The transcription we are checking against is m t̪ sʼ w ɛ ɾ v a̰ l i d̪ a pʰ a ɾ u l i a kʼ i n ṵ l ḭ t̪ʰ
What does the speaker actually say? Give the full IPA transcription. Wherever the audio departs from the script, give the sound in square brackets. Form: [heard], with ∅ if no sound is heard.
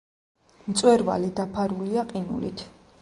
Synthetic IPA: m t̪ sʼ w ɛ ɾ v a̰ l i d̪ a pʰ a ɾ u l i a [qʼ] i n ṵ l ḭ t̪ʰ